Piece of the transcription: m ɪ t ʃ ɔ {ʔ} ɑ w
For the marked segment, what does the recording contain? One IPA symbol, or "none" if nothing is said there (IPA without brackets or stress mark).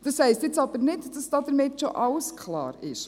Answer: ʔ